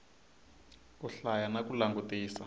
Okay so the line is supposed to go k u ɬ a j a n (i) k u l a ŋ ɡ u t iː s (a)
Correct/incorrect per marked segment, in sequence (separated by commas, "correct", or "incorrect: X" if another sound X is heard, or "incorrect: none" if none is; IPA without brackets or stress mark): incorrect: a, correct